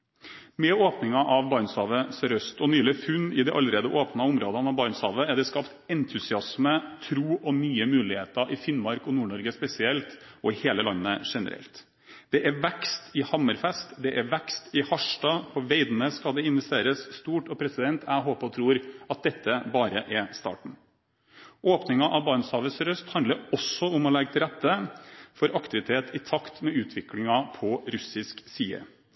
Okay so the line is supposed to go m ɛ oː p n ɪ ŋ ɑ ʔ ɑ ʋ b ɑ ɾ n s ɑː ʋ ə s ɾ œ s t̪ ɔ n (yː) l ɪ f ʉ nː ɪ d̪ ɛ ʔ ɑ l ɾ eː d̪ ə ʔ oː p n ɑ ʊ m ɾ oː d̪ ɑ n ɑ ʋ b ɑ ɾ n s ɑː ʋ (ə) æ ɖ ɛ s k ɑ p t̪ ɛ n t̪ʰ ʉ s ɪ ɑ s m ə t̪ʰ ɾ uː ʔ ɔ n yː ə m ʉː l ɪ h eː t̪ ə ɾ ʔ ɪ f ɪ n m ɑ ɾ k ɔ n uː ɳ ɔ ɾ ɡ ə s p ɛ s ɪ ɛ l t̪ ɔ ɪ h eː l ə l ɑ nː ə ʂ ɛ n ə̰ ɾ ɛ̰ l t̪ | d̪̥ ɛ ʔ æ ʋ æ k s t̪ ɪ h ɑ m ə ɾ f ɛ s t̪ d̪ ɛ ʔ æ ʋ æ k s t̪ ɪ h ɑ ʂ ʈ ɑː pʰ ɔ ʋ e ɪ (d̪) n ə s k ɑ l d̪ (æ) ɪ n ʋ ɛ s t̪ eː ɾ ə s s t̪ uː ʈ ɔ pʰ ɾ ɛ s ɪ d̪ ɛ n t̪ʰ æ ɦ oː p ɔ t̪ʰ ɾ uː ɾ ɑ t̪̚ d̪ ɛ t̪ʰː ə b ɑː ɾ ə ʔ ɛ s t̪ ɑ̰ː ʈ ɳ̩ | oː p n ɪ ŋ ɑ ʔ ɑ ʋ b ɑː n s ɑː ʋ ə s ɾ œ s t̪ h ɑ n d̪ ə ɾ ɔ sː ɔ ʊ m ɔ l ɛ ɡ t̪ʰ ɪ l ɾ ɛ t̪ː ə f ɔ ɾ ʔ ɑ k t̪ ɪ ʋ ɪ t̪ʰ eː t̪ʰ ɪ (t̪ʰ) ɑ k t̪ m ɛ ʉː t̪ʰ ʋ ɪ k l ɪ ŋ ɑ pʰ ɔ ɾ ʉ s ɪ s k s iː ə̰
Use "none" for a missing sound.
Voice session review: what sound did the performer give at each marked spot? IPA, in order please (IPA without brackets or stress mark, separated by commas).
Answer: yː, ə, d̪, ɛ, t̪ʰ